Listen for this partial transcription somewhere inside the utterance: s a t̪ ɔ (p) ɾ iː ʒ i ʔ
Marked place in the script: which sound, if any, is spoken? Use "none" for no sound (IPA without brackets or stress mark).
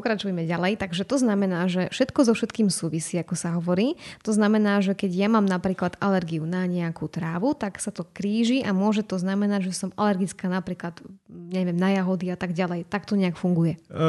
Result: k